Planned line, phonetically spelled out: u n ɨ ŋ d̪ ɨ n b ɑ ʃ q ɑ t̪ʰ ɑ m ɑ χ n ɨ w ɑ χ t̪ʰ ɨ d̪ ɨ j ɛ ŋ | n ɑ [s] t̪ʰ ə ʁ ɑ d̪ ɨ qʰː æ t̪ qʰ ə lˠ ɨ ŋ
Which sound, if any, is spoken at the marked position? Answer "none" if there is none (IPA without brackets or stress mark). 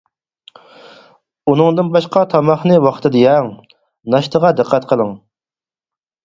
ʃ